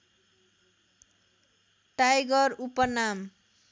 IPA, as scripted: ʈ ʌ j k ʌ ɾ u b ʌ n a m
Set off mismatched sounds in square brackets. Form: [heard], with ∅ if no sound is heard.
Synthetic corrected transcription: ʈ [a] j [ɡ] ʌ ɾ u [p] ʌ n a m